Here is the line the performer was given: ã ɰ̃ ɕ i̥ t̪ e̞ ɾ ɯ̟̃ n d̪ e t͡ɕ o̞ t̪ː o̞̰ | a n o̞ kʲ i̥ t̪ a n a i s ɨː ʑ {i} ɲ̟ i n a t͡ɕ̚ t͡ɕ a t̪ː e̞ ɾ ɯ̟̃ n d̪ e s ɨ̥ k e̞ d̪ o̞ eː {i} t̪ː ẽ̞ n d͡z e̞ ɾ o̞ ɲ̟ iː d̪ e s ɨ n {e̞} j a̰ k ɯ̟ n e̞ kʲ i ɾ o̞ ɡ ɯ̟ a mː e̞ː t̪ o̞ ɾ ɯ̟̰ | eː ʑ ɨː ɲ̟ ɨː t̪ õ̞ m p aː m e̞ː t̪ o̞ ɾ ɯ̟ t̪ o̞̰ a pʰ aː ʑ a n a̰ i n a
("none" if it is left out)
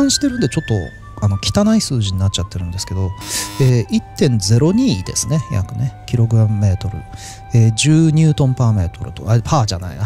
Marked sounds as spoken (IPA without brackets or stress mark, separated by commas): i, i, e̞